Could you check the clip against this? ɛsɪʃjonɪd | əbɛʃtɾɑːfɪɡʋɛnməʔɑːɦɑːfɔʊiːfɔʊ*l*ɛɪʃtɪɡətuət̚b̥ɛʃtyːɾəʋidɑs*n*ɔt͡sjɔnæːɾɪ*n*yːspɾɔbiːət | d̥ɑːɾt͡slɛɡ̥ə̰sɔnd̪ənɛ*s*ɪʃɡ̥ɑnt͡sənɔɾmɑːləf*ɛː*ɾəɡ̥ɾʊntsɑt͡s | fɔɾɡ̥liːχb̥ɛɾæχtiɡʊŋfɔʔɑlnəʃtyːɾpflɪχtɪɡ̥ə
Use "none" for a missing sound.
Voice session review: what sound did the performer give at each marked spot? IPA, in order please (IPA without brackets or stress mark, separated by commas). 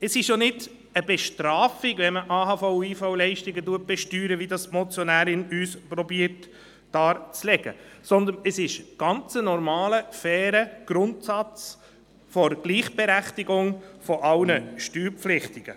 l, m, n, s, ɛː